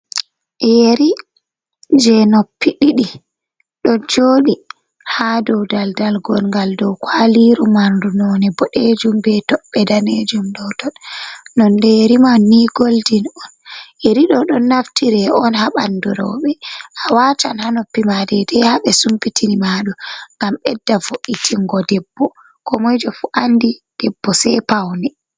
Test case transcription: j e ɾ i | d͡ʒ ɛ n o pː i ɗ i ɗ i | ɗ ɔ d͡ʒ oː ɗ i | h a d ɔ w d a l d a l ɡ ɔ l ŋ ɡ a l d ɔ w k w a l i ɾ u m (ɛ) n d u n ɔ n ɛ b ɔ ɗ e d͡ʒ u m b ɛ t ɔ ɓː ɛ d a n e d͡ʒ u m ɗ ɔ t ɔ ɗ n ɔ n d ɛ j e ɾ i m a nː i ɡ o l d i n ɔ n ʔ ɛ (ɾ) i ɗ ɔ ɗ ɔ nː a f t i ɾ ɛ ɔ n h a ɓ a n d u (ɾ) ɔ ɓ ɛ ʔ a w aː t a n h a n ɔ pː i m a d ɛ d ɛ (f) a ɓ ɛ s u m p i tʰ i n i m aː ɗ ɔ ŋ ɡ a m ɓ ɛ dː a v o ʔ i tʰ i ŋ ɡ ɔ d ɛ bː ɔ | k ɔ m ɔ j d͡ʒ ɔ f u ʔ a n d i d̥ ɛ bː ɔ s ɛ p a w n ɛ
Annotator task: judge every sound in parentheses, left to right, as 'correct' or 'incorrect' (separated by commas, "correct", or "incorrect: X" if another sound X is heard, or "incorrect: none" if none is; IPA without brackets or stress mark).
incorrect: a, correct, correct, incorrect: h